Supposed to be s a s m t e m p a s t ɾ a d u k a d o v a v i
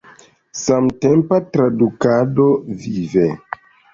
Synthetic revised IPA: s a m t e m p a t ɾ a d u k a d o v i v e

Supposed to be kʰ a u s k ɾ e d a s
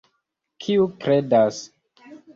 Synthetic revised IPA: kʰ i u k ɾ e d a s

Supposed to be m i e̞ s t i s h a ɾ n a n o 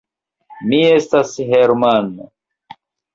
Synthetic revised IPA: m i e̞ s t a s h e ɾ m a n o

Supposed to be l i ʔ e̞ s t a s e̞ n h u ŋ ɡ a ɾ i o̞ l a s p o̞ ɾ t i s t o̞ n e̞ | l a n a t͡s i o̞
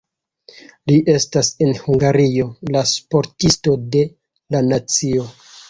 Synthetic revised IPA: l i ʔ e̞ s t a s e̞ n h u ŋ ɡ a ɾ i o̞ l a s p o̞ ɾ t i s t o̞ d e̞ | l a n a t͡s i o̞

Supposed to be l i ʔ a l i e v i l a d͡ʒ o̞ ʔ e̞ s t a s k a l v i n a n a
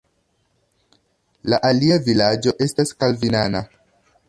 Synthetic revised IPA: l a ʔ a l i a v i l a d͡ʒ o̞ ʔ e̞ s t a s k a l v i n a n a

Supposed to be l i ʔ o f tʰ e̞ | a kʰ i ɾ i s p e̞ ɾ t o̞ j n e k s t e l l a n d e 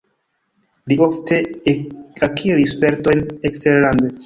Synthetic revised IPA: l i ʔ o f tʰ e̞ | a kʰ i ɾ i s p e̞ ɾ t o̞ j n e k s t e ɾ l a n d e

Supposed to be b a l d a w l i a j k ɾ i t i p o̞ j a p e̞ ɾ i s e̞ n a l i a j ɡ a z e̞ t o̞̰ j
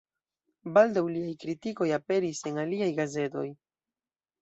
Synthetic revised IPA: b a l d a w l i a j k ɾ i t i k o̞ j a p e̞ ɾ i s e̞ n a l i a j ɡ a z e̞ t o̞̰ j

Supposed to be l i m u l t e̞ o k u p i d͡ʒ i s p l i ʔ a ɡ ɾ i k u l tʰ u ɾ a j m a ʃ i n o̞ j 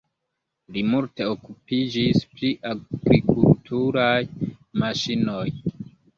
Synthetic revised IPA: l i m u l t e̞ o k u p i d͡ʒ i s p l i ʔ a ɡ ɾ i k u l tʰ u ɾ a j m a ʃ i n o̞ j

